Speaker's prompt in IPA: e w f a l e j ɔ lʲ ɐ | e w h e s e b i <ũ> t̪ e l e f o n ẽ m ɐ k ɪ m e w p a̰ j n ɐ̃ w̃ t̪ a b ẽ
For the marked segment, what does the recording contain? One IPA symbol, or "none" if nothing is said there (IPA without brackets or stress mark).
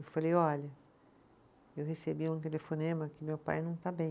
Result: ũ